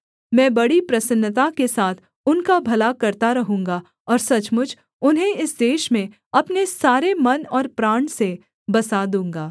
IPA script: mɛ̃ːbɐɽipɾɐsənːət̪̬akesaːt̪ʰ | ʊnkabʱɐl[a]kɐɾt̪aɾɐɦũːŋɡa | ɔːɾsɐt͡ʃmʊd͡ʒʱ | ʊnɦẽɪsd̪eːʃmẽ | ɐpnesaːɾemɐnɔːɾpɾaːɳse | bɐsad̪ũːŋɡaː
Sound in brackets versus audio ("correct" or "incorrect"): correct